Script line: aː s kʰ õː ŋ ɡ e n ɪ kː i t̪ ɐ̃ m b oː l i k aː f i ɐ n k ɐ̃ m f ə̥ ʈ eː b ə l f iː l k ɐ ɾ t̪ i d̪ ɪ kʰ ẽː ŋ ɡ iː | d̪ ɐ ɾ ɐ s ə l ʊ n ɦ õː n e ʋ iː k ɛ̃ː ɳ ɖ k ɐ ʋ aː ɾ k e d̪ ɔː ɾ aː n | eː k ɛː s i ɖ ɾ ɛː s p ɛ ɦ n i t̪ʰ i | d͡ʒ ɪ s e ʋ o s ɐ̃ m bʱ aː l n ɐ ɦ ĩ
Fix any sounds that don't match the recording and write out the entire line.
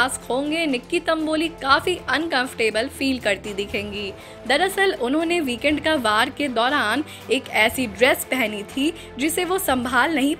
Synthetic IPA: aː s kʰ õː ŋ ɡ e n ɪ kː i t̪ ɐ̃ m b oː l i k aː f i ɐ n k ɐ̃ m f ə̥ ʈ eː b ə l f iː l k ɐ ɾ t̪ i d̪ ɪ kʰ ẽː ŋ ɡ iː | d̪ ɐ ɾ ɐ s ə l ʊ n ɦ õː n e ʋ iː k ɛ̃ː ɳ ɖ k a ʋ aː ɾ k e d̪ ɔː ɾ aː n | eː k ɛː s i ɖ ɾ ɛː s p ɛ ɦ n i t̪ʰ i | d͡ʒ ɪ s e ʋ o s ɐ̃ m bʱ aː l n ɐ ɦ ĩ